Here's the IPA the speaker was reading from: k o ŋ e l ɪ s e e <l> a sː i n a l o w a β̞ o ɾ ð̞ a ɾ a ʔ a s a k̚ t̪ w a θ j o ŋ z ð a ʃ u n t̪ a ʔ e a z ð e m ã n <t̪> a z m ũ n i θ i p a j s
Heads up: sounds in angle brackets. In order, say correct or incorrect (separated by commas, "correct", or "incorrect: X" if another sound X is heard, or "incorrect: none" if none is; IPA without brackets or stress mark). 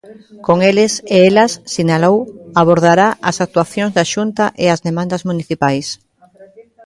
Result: correct, incorrect: d̪